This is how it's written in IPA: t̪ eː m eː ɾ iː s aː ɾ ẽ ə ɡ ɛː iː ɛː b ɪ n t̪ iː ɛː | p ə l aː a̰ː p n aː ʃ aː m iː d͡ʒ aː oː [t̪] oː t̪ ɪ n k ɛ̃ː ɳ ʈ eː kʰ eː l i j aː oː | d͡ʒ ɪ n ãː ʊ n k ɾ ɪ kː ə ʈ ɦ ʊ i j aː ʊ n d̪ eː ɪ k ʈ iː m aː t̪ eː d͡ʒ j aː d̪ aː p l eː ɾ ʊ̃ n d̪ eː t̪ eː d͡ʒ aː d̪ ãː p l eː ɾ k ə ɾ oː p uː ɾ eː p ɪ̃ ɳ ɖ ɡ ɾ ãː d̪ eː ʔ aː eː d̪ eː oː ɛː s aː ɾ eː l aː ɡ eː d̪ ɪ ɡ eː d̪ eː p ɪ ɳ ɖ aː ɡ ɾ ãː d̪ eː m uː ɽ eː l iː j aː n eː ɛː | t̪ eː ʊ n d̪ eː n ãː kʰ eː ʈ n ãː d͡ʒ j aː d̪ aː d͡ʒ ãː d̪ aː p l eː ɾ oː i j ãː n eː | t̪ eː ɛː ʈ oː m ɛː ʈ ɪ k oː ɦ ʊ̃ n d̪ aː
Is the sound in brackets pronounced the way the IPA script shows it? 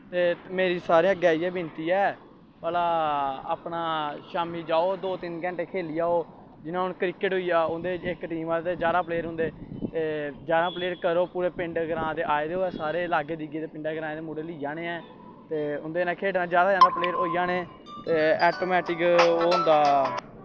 no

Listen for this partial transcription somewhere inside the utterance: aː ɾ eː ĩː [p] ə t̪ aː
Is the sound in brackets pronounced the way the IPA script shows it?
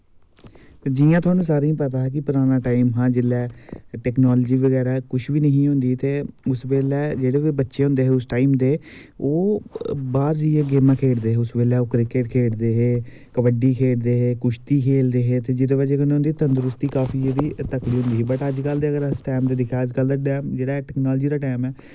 yes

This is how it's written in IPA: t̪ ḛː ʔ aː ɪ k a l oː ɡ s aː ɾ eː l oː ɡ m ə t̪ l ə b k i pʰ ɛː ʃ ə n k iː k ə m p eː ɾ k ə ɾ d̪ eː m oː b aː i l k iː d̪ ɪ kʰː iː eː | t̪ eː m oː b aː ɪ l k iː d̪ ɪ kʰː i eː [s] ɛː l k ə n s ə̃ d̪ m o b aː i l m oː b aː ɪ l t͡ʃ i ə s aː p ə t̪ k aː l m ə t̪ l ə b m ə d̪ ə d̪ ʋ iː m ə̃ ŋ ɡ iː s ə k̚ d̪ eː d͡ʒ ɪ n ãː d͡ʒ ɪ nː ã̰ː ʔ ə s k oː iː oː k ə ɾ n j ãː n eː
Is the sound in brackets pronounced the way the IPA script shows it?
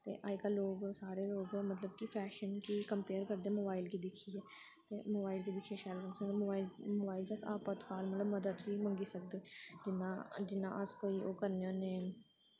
no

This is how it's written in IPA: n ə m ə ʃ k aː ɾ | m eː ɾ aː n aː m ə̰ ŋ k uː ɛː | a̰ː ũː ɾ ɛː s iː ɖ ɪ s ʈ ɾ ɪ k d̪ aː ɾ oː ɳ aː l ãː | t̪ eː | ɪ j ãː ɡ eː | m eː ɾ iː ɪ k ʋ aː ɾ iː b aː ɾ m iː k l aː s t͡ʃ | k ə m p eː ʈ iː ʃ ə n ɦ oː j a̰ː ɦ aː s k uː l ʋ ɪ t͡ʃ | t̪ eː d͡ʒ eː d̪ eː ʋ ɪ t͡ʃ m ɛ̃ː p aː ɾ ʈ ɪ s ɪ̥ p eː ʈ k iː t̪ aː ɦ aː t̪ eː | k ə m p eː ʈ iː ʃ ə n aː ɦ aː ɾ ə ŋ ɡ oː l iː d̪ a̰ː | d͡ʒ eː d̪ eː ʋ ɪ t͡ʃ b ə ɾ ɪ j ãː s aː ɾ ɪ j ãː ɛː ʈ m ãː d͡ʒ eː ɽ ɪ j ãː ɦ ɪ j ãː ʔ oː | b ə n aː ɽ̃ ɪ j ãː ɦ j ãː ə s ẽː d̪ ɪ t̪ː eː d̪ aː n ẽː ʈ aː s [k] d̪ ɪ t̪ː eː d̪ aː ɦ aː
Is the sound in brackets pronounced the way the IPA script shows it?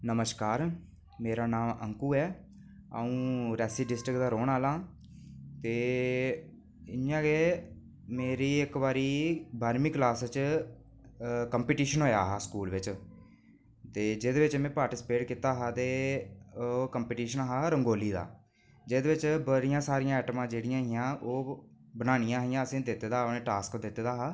yes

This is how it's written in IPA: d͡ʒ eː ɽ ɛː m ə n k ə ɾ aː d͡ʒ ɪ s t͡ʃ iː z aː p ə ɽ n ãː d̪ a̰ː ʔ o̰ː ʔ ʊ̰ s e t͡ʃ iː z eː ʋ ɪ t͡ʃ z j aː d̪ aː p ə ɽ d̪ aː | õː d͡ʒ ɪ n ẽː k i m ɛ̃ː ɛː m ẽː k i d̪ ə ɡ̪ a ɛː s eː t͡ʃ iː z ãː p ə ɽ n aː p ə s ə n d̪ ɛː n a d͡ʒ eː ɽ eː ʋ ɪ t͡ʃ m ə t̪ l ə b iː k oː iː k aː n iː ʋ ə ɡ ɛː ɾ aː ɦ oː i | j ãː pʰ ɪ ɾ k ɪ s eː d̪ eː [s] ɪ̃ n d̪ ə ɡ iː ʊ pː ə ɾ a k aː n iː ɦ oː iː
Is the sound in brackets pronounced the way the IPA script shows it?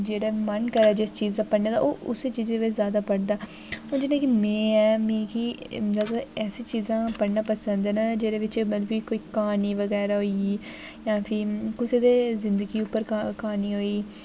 no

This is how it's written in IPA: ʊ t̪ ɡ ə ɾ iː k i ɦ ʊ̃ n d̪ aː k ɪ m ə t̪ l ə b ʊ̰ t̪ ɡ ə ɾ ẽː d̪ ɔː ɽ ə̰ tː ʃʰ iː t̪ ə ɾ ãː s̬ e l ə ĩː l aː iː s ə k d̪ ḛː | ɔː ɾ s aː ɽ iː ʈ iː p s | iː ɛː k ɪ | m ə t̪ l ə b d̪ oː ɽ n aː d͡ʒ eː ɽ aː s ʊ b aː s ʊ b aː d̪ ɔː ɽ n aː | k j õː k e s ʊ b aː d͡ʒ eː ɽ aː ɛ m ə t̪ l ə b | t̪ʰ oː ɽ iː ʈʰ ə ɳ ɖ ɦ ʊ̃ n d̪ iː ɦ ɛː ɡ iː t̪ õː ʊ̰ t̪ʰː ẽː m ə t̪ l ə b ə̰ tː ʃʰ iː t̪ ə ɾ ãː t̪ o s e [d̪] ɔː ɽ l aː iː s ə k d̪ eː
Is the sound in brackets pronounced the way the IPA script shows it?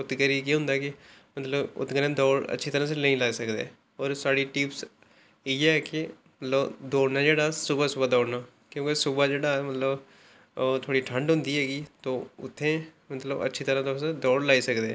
yes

